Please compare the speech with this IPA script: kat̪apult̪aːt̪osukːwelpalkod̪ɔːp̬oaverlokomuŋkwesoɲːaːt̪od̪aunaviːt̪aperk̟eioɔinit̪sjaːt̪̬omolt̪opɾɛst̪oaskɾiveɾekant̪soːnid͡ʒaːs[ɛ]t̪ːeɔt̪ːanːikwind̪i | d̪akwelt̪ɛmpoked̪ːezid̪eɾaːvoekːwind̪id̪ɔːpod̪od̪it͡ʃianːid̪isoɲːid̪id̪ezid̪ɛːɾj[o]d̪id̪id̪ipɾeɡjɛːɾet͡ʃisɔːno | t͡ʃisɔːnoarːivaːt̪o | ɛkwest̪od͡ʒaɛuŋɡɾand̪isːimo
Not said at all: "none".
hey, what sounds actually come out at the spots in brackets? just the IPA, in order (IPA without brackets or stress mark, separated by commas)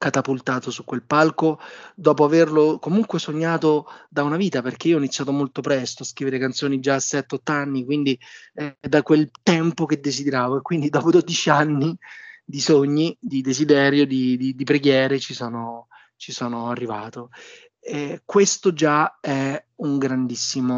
ɛ, o